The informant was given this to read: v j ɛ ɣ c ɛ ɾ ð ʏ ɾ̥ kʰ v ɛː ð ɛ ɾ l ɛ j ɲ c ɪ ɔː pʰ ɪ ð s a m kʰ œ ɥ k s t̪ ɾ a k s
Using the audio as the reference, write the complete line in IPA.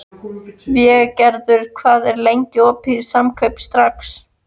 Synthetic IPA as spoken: v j ɛ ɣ c ɛ ɾ ð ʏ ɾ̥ kʰ v aː ð ɛ ɾ l e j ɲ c ɪ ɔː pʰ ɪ ð s a m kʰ œ ɥ p s t̪ ɾ a k s

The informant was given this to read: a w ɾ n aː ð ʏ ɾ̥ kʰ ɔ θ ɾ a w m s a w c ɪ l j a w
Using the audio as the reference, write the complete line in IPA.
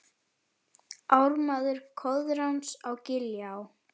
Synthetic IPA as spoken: a w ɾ m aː ð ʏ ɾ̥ kʰ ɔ ð ɾ a w n s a w c ɪ l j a w

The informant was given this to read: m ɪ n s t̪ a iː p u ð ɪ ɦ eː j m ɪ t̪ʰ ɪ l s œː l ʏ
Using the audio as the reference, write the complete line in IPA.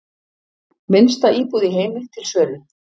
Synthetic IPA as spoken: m ɪ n s t̪ a iː p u ð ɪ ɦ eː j m ɪ t̪ʰ ɪ l s œː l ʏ

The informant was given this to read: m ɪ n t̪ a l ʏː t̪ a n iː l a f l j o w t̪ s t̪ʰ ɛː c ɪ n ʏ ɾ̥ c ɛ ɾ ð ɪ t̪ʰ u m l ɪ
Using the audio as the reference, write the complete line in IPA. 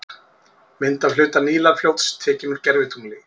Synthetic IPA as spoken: m ɪ n t̪ a l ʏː t̪ a n iː l a f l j o w t̪ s t̪ʰ ɛː c ɪ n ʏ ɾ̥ c ɛ ɾ v ɪ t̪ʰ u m l ɪ

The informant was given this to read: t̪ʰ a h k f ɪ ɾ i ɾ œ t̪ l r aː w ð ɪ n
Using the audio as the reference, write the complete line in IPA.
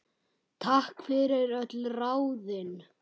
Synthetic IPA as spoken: t̪ʰ a h k f ɪ ɾ ɪ ɾ œ t̪ l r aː w ð ɪ n

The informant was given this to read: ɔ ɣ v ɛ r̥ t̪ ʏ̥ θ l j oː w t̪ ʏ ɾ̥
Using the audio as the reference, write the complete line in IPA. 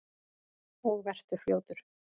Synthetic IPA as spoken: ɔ ɣ v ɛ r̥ t̪ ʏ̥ f l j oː w t̪ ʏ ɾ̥

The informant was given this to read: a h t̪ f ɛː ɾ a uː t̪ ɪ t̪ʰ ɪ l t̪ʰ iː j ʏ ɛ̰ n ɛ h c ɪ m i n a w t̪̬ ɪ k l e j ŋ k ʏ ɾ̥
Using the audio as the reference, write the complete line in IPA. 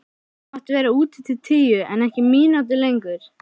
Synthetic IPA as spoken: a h t̪ v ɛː ɾ a uː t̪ ɪ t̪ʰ ɪ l t̪ʰ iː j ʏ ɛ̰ n ɛ h c ɪ m iː n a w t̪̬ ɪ l e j ŋ k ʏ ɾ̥

